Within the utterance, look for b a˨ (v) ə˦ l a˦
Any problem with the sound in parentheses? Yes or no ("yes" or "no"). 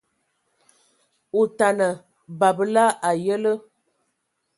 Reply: yes